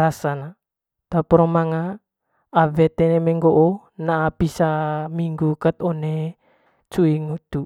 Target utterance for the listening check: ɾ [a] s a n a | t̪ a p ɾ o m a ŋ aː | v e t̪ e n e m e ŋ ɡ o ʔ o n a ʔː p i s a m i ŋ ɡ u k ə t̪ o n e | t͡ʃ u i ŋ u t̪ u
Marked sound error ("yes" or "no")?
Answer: no